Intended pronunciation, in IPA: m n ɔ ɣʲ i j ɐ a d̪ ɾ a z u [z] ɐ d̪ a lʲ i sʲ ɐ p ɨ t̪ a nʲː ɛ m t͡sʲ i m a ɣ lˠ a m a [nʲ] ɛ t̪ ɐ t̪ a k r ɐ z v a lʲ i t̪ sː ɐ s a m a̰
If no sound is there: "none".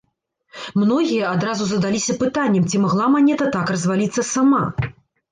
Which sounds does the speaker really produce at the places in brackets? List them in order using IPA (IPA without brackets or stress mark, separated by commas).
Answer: z, nʲ